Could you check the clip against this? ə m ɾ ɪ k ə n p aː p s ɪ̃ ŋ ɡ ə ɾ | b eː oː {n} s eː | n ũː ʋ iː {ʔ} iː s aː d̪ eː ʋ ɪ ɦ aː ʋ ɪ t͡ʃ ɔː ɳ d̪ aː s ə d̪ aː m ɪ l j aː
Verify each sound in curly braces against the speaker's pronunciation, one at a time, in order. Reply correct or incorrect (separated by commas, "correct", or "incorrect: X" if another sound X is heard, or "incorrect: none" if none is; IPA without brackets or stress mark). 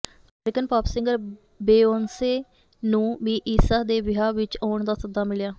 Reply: correct, correct